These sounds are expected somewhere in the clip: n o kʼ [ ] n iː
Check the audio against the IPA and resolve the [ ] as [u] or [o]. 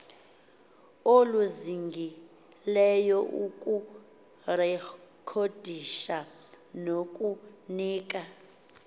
u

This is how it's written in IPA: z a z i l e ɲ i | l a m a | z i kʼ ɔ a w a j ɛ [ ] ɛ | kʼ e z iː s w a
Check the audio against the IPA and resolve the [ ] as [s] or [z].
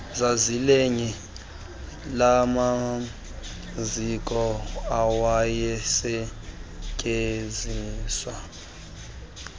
s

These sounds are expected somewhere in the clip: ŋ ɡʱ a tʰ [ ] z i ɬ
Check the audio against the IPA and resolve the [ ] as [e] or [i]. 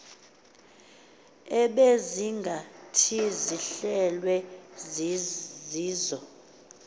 i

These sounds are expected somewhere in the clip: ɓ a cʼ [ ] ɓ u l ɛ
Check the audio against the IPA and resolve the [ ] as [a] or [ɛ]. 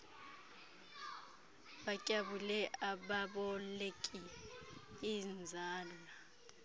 a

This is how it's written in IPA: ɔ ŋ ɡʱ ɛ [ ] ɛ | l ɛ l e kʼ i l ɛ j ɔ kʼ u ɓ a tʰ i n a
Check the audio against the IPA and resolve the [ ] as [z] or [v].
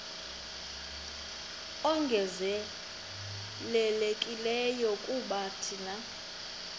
z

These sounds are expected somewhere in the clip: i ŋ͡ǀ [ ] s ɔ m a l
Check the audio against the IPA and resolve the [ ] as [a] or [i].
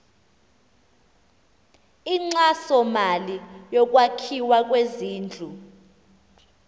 a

